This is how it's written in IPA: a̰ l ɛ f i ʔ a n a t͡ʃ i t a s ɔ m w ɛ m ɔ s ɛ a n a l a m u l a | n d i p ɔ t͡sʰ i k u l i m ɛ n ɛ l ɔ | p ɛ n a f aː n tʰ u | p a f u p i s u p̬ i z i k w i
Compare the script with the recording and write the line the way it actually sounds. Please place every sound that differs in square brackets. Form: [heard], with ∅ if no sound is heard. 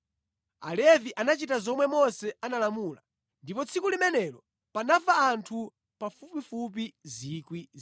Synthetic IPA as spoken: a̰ l ɛ [v] i ʔ a n a t͡ʃ i t a [z] ɔ m w ɛ m ɔ s ɛ a n a l a m u l a | n d i p ɔ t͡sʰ i k u l i m ɛ n ɛ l ɔ | p [a] n a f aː n tʰ u | p a f u p i [f] u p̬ i z i k w i